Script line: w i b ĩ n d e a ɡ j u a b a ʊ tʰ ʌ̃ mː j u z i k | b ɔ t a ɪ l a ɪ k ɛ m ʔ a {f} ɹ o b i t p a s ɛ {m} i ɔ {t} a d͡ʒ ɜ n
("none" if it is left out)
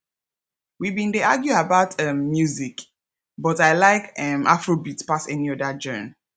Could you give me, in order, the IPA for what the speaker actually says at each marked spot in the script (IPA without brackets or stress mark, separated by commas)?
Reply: f, n, d